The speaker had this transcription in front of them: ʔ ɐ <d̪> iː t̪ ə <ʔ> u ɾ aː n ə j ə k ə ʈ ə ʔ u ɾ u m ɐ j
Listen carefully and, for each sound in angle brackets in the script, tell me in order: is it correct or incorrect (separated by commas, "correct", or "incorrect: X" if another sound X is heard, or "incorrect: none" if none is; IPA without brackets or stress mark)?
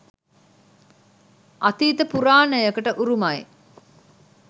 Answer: incorrect: t̪, incorrect: p